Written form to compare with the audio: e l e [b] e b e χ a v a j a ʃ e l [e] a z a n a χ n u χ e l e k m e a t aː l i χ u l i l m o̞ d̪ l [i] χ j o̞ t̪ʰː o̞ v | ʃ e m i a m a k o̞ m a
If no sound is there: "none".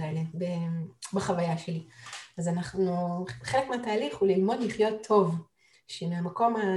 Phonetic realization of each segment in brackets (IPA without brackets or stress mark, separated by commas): b, i, i